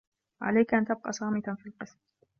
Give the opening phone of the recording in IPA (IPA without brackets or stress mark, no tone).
ʕ